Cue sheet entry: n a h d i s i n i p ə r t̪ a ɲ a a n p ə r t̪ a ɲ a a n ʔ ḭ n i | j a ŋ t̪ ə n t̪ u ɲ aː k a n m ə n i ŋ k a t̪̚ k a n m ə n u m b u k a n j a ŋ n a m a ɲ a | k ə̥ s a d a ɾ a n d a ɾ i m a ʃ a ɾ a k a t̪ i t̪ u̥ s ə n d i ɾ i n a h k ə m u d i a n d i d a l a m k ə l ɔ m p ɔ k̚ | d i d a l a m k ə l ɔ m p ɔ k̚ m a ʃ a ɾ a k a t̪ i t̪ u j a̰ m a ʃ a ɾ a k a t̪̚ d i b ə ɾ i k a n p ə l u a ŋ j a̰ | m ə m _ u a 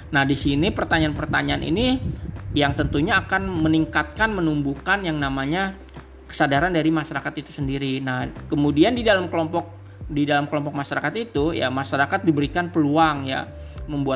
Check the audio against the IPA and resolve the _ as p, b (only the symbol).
b